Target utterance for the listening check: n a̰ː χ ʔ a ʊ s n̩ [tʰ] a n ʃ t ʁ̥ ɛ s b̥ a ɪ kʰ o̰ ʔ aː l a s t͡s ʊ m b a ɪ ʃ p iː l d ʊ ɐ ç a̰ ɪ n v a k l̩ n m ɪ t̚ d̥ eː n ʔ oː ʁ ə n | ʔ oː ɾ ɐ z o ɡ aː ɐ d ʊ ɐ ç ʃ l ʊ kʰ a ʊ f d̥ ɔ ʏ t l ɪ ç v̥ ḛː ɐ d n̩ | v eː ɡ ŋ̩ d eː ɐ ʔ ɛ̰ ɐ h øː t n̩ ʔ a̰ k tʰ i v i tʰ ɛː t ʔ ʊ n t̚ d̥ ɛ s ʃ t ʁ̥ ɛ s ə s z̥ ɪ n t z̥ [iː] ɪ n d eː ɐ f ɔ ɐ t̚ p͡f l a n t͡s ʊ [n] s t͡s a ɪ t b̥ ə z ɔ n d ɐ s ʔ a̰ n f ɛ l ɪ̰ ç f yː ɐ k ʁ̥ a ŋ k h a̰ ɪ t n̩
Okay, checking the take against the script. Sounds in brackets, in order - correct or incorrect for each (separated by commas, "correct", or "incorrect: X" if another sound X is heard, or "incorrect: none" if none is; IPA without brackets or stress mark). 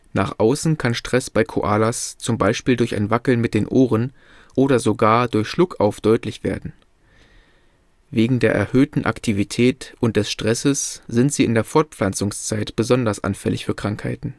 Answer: incorrect: kʰ, correct, incorrect: ŋ